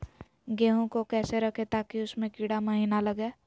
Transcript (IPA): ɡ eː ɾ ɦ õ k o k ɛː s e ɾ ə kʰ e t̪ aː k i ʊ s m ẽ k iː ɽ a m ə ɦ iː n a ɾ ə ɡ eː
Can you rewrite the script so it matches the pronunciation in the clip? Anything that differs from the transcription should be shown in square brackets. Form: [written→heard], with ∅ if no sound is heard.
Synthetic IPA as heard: ɡ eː [ɾ→∅] ɦ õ k o k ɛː s e ɾ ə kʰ e t̪ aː k i ʊ s m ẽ k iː ɽ a m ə ɦ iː n a [ɾ→l] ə ɡ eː